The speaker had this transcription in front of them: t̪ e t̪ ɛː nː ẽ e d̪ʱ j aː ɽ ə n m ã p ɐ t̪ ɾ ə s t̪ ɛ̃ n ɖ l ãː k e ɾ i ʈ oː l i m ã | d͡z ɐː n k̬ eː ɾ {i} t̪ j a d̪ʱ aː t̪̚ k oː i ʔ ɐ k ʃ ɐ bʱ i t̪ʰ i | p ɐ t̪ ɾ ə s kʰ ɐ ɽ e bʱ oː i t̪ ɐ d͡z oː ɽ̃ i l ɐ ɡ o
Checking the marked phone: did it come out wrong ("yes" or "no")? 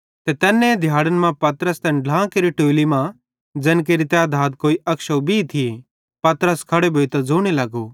no